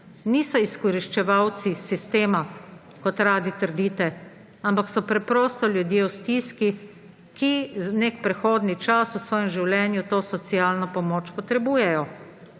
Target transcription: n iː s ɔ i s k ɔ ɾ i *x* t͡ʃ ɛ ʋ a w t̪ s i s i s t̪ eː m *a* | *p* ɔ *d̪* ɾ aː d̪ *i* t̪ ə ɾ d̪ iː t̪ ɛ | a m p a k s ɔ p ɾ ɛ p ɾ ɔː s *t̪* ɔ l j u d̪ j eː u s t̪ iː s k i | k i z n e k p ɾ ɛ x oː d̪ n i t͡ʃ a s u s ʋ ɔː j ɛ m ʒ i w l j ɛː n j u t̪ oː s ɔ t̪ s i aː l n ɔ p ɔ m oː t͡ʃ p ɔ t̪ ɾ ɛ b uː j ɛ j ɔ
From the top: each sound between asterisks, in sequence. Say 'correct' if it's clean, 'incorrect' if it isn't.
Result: incorrect: ʃ, correct, incorrect: k, incorrect: t̪, correct, correct

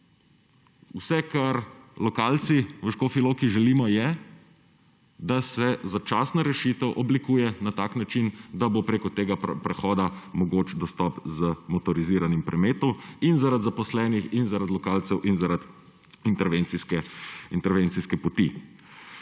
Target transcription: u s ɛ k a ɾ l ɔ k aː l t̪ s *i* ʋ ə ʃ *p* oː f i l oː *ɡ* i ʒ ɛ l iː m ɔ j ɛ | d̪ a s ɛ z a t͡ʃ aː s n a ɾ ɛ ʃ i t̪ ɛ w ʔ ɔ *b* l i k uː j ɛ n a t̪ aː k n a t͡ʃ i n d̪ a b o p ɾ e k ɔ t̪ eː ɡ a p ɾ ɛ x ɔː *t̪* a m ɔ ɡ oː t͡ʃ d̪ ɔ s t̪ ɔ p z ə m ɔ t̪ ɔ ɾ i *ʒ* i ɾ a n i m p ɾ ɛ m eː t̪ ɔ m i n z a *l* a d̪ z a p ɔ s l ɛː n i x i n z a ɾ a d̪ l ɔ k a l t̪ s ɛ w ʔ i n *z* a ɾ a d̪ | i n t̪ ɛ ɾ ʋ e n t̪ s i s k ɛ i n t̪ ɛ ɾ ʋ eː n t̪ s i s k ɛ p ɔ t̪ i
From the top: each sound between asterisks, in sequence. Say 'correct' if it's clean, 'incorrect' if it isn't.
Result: correct, incorrect: k, incorrect: k, correct, incorrect: d̪, incorrect: z, incorrect: ɾ, correct

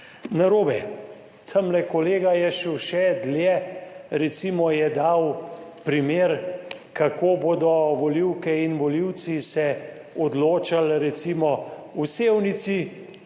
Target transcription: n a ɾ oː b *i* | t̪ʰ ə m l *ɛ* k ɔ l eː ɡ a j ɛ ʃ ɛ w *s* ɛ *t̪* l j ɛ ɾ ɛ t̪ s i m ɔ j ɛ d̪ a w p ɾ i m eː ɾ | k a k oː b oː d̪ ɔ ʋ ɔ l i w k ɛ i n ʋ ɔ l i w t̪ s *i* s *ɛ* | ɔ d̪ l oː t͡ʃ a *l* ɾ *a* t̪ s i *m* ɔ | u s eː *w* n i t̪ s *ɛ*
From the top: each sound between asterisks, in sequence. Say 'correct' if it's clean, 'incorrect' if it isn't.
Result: incorrect: ɛ, correct, incorrect: ʃ, incorrect: d̪, correct, correct, correct, incorrect: ɛ, correct, correct, incorrect: i

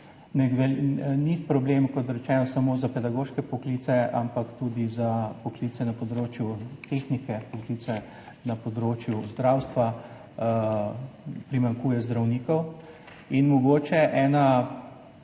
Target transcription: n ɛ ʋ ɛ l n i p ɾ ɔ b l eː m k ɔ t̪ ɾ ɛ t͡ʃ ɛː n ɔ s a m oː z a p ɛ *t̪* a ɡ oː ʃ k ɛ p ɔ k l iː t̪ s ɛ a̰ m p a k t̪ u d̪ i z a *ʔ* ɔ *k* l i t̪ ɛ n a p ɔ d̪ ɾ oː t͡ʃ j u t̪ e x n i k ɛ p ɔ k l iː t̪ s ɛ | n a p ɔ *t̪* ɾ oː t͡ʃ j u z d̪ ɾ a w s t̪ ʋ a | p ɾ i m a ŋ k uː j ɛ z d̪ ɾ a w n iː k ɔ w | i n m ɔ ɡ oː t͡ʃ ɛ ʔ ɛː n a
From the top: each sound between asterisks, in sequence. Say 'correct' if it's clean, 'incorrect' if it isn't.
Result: incorrect: d̪, incorrect: p, correct, incorrect: d̪

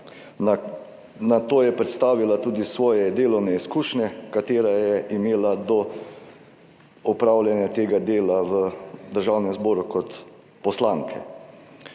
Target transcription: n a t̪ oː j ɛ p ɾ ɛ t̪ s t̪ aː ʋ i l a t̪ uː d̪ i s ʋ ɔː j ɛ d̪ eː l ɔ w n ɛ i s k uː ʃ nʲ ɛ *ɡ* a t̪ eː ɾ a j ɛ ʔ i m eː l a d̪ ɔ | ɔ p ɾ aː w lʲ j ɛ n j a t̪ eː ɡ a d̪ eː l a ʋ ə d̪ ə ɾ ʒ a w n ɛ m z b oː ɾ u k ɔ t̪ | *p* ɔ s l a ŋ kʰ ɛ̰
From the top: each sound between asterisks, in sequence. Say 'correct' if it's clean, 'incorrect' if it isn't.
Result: incorrect: k, correct

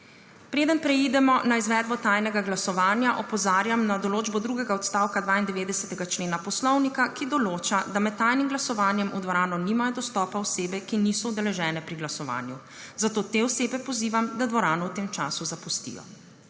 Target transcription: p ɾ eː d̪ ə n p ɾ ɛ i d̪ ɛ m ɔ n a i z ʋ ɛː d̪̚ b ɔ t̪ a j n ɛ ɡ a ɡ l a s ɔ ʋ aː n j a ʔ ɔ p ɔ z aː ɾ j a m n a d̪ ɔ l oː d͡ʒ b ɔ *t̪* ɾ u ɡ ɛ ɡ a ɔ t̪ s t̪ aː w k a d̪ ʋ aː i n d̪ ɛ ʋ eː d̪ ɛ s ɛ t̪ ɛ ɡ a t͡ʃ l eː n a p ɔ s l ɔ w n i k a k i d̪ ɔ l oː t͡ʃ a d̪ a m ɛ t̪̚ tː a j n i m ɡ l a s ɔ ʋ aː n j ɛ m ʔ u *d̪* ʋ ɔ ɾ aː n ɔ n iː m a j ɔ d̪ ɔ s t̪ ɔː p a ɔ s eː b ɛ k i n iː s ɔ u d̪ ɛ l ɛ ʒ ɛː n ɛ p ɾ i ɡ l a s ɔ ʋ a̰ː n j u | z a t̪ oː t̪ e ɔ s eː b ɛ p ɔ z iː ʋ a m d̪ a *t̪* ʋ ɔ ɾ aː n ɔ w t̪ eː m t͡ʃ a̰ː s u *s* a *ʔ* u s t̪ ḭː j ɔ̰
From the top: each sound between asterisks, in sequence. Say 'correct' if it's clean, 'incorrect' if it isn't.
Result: incorrect: d̪, correct, incorrect: d̪, incorrect: z, incorrect: p

